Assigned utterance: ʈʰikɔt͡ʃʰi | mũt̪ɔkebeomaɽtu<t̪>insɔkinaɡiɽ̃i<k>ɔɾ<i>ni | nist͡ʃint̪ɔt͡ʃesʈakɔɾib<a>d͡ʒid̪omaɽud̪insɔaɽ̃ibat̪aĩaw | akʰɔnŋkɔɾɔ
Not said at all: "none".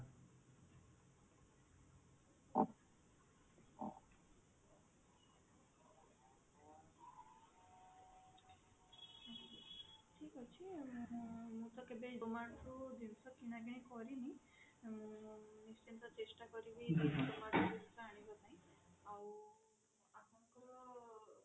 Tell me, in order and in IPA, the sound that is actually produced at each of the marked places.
d̪, k, i, i

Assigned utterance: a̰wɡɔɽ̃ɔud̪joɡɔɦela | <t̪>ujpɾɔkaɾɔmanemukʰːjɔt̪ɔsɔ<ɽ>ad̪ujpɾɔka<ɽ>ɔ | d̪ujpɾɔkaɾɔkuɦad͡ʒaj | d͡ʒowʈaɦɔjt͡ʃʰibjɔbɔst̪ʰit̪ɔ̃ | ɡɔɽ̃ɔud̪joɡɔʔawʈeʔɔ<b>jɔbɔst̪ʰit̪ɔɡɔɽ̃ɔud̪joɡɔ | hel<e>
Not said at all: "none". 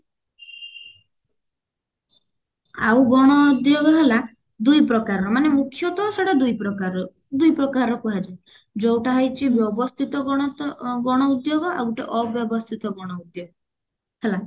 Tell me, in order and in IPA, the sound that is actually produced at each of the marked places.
d̪, ɽ, ɾ, b, a

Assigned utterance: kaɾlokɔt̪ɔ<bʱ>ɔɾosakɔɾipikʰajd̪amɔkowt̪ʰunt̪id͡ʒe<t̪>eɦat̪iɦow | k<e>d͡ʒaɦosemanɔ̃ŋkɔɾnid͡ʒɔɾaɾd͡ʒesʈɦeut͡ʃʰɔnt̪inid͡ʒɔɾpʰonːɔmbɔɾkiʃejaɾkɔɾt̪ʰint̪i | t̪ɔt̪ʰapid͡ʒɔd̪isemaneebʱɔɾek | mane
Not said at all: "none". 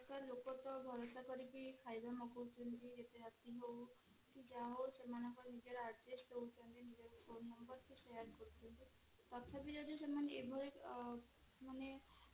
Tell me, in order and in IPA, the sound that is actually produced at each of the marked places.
bʱ, t̪, i

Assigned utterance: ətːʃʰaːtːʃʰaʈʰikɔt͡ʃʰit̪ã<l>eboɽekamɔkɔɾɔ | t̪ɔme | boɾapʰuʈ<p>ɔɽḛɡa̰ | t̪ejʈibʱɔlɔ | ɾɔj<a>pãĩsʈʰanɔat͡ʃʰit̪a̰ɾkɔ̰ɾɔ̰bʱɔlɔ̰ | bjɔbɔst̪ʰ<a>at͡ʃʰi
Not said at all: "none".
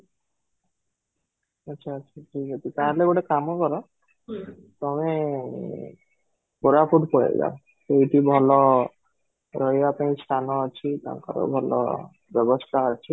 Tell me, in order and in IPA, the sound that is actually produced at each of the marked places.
l, p, a, a

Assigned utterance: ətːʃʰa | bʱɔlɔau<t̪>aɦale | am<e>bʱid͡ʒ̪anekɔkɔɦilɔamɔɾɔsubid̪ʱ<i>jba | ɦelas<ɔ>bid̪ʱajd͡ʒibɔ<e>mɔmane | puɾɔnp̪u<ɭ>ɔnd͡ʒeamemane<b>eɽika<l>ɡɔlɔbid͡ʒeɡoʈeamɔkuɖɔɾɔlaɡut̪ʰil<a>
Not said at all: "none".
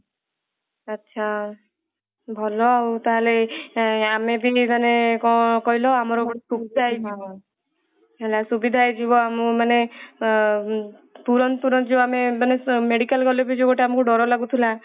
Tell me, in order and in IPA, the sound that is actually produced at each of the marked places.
t̪, e, a, u, a, ɾ, m, l, a

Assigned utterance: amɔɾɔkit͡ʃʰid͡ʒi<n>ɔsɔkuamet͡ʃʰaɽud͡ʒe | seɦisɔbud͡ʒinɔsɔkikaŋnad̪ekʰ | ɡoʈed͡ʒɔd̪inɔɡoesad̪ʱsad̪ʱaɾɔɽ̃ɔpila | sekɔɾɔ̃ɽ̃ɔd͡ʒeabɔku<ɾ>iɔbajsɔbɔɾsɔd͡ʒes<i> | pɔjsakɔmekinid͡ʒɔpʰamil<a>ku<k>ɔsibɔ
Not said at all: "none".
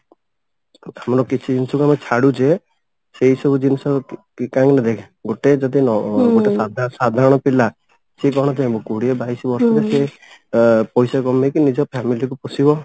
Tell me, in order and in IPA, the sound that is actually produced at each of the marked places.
n, ɽ, e, i, p

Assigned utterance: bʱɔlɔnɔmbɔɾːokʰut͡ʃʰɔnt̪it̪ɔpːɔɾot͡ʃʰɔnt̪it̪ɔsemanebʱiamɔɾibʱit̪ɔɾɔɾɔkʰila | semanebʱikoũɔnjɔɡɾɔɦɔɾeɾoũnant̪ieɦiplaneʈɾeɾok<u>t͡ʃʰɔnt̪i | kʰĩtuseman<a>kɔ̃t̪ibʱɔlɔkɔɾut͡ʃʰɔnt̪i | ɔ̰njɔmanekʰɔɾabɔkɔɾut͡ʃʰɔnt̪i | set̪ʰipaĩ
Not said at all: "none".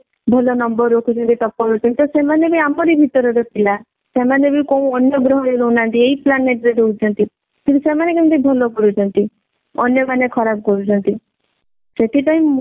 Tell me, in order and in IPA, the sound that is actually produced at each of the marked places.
u, e

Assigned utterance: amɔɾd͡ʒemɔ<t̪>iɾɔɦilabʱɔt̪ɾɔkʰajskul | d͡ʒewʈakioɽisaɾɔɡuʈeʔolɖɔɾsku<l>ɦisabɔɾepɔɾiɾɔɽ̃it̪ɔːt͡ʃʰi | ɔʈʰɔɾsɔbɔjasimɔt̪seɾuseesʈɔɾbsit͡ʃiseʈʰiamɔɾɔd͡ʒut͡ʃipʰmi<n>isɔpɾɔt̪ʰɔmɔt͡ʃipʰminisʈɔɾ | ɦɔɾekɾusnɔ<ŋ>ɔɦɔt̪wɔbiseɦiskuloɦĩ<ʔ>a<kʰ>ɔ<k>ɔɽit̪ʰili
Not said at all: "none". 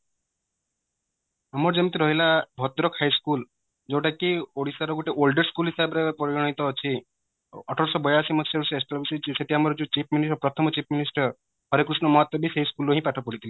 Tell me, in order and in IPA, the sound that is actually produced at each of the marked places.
t̪, l, n, m, p, ʈʰ, p

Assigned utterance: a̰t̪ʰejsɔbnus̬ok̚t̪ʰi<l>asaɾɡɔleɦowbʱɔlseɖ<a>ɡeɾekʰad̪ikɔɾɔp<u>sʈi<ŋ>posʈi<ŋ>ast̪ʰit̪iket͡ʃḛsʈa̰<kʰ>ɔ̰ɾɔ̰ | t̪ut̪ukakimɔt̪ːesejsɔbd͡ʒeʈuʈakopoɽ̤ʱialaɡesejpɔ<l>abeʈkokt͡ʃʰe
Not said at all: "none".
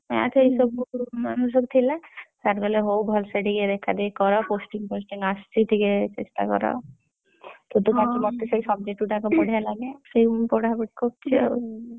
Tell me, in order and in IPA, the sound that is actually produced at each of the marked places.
l, i, o, ŋ, ŋ, k, ɽ

